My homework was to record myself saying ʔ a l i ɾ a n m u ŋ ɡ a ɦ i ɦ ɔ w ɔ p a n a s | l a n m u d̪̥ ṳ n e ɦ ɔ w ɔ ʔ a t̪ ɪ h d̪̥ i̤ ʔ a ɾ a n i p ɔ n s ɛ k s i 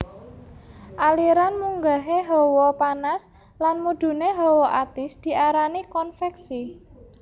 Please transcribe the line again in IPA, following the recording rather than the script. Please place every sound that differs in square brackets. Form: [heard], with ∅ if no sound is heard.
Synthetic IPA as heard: ʔ a l i ɾ a n m u ŋ ɡ a ɦ [e] ɦ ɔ w ɔ p a n a s | l a n m u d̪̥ ṳ n e ɦ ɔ w ɔ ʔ a t̪ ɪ [s] d̪̥ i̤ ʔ a ɾ a n i [k] ɔ n [f] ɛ k s i